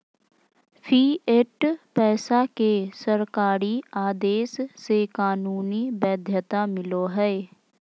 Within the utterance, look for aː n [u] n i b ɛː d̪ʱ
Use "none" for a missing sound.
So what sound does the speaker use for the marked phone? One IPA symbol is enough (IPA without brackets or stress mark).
uː